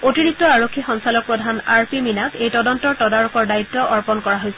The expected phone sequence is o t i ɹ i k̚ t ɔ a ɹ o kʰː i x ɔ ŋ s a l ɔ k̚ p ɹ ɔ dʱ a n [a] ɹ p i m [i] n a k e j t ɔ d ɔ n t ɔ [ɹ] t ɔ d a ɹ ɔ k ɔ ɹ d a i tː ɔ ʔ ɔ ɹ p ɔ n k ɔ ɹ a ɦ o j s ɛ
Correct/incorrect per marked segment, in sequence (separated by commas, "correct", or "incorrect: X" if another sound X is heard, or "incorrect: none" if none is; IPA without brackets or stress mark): correct, correct, correct